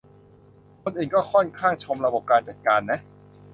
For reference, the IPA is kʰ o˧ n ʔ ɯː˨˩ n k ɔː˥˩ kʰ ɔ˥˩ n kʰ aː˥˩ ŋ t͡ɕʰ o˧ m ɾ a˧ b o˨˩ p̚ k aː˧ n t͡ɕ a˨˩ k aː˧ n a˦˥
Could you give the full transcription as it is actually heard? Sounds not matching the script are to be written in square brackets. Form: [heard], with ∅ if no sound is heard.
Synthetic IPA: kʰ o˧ n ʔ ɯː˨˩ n k ɔː˥˩ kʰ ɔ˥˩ n kʰ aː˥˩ ŋ t͡ɕʰ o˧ m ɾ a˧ b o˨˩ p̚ k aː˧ n t͡ɕ a˨˩ k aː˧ [nː] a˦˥

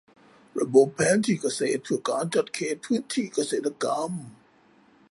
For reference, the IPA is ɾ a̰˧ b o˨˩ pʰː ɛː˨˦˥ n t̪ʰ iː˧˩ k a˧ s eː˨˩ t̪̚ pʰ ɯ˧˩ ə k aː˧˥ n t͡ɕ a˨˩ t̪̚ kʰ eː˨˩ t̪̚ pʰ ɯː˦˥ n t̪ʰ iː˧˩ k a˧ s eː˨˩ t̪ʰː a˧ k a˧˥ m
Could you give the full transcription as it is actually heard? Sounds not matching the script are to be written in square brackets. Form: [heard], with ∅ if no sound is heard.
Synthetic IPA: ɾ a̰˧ b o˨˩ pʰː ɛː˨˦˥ n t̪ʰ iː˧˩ k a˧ s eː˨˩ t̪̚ pʰ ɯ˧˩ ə k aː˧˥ n t͡ɕ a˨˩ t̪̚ kʰ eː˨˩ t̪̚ pʰ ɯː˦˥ n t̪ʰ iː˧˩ k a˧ s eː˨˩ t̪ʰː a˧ k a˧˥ m

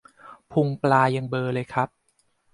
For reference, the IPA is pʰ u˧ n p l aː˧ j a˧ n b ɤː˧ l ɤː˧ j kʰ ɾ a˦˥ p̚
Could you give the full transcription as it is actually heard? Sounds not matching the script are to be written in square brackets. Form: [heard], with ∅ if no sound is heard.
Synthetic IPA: pʰ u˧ [ŋ] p l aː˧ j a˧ [ŋ] b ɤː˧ l ɤː˧ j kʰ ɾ a˦˥ p̚

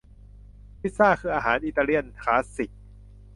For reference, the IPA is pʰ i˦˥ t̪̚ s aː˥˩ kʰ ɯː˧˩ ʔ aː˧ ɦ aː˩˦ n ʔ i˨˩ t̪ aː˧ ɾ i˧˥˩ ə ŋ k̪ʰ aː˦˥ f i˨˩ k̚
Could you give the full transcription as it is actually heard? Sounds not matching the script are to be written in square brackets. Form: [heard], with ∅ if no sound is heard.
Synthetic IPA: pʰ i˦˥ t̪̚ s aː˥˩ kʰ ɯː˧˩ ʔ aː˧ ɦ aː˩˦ n ʔ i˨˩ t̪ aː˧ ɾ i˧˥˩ ə [n] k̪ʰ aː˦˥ [s] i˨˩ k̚

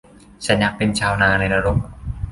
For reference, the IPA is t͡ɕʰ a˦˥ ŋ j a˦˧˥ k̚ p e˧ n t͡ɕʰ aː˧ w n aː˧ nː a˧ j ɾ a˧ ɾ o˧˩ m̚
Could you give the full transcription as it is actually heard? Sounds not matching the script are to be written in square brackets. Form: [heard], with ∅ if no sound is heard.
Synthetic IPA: t͡ɕʰ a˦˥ [n] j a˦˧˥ k̚ p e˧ n t͡ɕʰ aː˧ w n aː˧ [n] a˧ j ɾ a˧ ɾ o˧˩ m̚

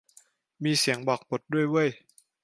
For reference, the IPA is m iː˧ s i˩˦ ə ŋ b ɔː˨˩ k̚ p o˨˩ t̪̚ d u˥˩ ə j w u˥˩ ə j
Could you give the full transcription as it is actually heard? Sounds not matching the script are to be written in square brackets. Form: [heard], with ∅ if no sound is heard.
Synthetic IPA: m iː˧ s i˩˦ ə ŋ b ɔː˨˩ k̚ p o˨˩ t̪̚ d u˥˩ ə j w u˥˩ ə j

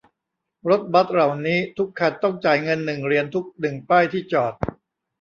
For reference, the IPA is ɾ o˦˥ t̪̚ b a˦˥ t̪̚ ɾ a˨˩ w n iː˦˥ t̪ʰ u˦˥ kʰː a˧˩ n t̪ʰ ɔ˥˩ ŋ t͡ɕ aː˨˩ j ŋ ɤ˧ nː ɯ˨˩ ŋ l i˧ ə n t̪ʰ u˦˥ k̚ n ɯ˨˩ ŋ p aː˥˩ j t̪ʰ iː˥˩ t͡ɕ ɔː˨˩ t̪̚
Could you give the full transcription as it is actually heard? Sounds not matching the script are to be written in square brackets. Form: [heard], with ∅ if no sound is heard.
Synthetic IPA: ɾ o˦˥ t̪̚ b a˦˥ t̪̚ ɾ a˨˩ w n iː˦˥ t̪ʰ u˦˥ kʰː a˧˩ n [t̪] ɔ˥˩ ŋ t͡ɕ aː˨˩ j ŋ ɤ˧ nː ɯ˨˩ ŋ [ɾ] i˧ ə n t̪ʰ u˦˥ k̚ n ɯ˨˩ ŋ p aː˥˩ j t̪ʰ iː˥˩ t͡ɕ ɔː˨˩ t̪̚

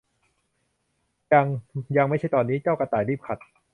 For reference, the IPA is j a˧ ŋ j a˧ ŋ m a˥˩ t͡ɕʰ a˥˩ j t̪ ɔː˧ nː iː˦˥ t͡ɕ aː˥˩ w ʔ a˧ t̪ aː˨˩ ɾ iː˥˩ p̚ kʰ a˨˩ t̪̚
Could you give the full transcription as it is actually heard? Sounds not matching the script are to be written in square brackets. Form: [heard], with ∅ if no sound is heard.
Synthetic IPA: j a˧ ŋ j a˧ ŋ m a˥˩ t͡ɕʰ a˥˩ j t̪ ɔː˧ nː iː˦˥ t͡ɕ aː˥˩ w [k] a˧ t̪ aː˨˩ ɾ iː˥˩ p̚ kʰ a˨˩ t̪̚

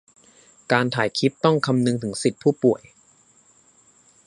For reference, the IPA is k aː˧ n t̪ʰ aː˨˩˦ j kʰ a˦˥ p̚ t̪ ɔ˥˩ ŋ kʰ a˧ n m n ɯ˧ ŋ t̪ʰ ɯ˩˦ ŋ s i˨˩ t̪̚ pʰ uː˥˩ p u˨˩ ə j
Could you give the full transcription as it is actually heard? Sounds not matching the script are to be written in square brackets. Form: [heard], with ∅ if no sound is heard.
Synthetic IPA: k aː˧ n t̪ʰ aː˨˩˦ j kʰ [i˦˥] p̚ t̪ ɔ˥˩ ŋ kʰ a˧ [∅] m n ɯ˧ ŋ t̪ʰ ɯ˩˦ ŋ s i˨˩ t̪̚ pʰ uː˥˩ p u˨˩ ə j

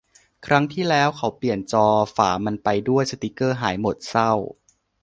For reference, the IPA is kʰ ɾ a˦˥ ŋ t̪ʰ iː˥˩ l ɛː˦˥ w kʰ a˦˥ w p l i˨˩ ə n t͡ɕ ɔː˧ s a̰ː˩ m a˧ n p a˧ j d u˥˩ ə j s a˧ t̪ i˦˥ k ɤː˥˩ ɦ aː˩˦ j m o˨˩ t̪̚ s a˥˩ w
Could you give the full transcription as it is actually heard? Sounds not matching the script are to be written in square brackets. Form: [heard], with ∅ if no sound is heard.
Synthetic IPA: kʰ ɾ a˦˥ ŋ t̪ʰ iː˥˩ l ɛː˦˥ w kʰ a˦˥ w p l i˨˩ ə n t͡ɕ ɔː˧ [f] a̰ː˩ m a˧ n p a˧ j d u˥˩ ə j s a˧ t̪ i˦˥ k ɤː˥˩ ɦ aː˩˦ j m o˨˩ t̪̚ s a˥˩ w

